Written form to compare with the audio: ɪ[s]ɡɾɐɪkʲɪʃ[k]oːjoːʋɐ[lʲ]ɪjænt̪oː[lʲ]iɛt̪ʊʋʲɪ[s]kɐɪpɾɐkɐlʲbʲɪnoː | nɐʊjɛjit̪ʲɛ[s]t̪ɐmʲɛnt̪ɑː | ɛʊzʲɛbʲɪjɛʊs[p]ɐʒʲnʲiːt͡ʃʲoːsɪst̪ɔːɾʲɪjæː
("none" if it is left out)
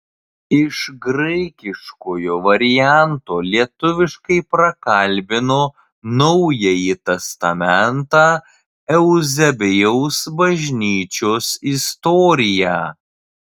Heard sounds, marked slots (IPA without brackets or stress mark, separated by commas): ʃ, k, ɾʲ, lʲ, ʃ, s, b